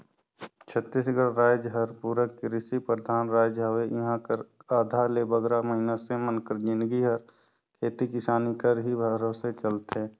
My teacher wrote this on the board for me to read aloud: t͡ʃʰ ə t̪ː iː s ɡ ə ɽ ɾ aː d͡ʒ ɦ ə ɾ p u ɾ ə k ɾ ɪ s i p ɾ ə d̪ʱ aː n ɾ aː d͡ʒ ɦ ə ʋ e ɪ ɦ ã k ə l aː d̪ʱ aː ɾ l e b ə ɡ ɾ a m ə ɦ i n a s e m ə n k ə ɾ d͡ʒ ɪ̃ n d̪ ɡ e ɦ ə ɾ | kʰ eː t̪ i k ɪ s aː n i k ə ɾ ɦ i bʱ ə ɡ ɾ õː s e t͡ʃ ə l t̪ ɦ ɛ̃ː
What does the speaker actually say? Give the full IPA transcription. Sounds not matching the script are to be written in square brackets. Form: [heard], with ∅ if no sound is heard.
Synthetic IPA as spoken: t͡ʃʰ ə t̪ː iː s ɡ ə ɽ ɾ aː d͡ʒ ɦ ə ɾ p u ɾ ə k ɾ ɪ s i p ɾ ə d̪ʱ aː n ɾ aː d͡ʒ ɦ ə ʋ e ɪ ɦ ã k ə [ɾ] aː d̪ʱ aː ɾ l e b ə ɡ ɾ a m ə ɦ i n a s e m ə n k ə ɾ d͡ʒ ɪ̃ n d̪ ɡ [i] ɦ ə ɾ | kʰ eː t̪ i k ɪ s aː n i k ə ɾ ɦ i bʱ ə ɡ ɾ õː s e t͡ʃ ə l t̪ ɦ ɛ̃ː

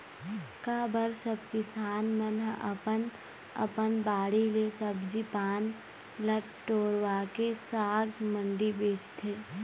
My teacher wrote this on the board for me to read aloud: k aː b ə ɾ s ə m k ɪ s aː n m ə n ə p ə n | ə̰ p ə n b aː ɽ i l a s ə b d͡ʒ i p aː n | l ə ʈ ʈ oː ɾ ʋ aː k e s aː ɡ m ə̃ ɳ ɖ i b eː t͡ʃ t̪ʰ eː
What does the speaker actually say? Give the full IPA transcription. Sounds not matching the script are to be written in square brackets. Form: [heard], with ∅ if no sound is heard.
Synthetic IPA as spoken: k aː b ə ɾ s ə [b] k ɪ s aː n m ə n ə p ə n | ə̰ p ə n b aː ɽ i l [e] s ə b d͡ʒ i p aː n | l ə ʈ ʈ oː ɾ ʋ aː k e s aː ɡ m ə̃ ɳ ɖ i b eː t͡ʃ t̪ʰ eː

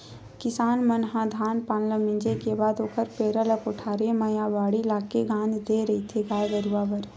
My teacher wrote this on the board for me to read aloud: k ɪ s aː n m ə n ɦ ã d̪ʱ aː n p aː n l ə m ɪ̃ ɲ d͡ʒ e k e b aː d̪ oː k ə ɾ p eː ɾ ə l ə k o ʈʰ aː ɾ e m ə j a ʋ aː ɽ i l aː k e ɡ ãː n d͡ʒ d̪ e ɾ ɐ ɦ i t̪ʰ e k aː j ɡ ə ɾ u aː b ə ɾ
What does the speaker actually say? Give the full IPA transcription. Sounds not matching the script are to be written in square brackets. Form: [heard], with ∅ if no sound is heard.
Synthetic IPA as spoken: k ɪ s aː n m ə n ɦ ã d̪ʱ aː n p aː n l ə m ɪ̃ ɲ d͡ʒ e k e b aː d̪ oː k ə ɾ p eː ɾ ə l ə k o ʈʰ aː ɾ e m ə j a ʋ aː ɽ i l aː k e ɡ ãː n d͡ʒ d̪ e ɾ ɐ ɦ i t̪ʰ e [ɡ] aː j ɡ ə ɾ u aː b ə ɾ

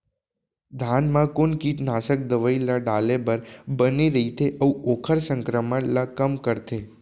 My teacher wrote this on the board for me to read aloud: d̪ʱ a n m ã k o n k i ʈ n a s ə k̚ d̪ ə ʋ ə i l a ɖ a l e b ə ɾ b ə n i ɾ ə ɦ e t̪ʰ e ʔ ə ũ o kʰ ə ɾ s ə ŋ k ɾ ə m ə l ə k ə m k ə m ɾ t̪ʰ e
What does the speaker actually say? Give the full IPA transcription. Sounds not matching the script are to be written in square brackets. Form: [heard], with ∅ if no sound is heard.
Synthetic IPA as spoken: d̪ʱ a n m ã k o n k i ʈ n a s ə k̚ d̪ ə ʋ ə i l a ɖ a l e b ə ɾ b ə n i ɾ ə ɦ [i] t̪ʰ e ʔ ə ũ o kʰ ə ɾ s ə ŋ k ɾ ə m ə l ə k ə m k ə [∅] ɾ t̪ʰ e

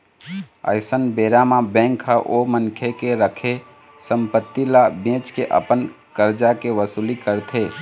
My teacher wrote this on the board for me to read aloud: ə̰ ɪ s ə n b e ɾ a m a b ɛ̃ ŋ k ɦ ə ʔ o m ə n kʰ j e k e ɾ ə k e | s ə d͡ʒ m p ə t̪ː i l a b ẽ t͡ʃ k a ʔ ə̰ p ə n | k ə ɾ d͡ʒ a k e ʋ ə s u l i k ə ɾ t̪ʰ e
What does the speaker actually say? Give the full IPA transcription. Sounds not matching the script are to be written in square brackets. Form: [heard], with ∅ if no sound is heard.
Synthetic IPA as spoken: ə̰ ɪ s ə n b e ɾ a m a b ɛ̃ ŋ k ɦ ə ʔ o m ə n kʰ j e k e ɾ ə [kʰ] e | s ə [∅] m p ə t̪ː i l a b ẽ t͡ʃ k [e] ʔ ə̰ p ə n | k ə ɾ d͡ʒ a k e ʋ ə s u l i k ə ɾ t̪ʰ e

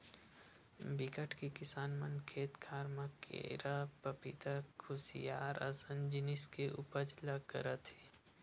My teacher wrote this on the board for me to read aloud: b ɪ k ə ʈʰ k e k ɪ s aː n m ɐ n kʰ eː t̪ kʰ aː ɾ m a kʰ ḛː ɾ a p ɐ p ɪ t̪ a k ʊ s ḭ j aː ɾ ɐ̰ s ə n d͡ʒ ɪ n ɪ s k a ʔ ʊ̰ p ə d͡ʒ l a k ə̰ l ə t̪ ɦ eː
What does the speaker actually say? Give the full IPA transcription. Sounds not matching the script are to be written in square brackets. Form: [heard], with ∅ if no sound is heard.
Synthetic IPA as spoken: b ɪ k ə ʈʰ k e k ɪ s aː n m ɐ n kʰ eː t̪ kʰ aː ɾ m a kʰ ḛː ɾ a p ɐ p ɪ t̪ a [kʰ] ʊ s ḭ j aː ɾ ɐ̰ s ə n d͡ʒ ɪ n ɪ s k [e] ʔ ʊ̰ p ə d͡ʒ l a k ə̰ [ɾ] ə t̪ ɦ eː

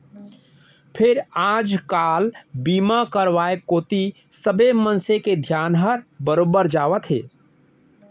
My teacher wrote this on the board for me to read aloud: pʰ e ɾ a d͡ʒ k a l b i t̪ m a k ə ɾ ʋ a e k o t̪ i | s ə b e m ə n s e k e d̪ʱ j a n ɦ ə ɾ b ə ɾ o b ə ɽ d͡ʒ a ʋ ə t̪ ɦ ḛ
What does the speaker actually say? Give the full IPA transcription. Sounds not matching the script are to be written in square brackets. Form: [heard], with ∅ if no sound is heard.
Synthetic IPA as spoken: pʰ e ɾ a d͡ʒ k a l b i [∅] m a k ə ɾ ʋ a e k o t̪ i | s ə b e m ə n s e k e d̪ʱ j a n ɦ ə ɾ b ə ɾ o b ə [ɾ] d͡ʒ a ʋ ə t̪ ɦ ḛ

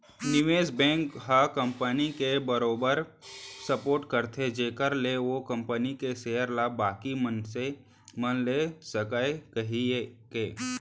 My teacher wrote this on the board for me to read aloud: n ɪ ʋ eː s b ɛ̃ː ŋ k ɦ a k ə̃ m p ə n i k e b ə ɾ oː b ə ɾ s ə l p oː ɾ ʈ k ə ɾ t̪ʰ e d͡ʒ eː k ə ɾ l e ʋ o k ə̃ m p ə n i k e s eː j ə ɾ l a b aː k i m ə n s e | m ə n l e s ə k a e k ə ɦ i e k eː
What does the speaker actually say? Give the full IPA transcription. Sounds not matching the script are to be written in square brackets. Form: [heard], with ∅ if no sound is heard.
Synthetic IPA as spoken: n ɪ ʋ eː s b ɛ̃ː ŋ k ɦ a k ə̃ m p ə n i k e b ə ɾ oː b ə ɾ s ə [∅] p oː ɾ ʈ k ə ɾ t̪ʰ e d͡ʒ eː k ə ɾ l e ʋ o k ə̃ m p ə n i k e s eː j ə ɾ l a b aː k i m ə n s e | m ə n l e s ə k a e k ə ɦ i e k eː

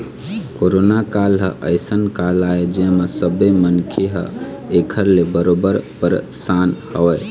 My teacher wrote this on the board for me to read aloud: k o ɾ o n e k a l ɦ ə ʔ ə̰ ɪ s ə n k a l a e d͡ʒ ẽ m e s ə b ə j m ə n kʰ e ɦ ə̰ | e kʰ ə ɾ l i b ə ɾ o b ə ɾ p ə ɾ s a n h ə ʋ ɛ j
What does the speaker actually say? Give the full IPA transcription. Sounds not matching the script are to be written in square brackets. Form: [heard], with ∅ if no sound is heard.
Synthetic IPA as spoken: k o ɾ o n [a] k a l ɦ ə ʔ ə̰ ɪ s ə n k a l a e d͡ʒ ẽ m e s ə b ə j m ə n kʰ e ɦ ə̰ | e kʰ ə ɾ l [e] b ə ɾ o b ə ɾ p ə ɾ s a n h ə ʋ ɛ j

